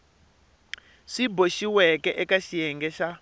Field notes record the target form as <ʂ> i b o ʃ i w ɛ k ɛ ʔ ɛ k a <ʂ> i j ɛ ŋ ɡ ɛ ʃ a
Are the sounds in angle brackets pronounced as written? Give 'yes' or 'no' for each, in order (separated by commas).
yes, no